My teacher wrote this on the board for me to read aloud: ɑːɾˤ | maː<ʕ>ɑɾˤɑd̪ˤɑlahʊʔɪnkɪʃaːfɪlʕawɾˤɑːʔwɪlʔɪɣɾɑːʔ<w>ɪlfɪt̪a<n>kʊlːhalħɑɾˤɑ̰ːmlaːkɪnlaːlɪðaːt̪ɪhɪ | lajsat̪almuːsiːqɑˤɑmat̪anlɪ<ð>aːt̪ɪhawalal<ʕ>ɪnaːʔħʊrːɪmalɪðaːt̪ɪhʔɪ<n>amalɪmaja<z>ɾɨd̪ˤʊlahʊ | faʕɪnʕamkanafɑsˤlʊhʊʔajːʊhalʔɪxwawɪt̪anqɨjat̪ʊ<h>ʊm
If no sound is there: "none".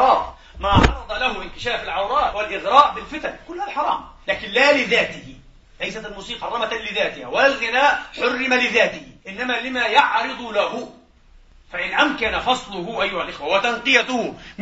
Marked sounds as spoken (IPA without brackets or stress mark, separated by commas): ʕ, b, n, ð, ɣ, nː, ʕ, h